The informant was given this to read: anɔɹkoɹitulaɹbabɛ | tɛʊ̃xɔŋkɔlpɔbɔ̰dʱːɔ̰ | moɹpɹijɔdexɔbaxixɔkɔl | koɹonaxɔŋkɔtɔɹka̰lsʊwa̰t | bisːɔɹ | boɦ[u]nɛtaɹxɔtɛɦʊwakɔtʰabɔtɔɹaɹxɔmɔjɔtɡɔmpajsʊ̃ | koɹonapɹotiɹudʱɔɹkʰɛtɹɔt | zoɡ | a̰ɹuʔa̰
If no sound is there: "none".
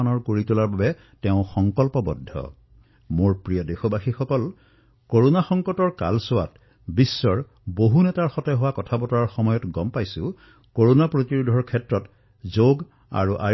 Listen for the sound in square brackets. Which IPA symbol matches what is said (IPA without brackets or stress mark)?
u